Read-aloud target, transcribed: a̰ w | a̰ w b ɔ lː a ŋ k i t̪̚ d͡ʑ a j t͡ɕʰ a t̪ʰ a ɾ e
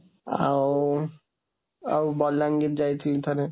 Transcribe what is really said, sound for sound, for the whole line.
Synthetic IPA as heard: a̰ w | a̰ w b ɔ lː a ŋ ɡ i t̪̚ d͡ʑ a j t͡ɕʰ i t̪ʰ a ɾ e